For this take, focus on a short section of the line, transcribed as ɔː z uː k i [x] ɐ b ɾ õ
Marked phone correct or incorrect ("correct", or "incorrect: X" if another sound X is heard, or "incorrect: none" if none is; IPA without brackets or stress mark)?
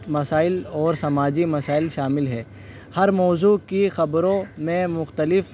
correct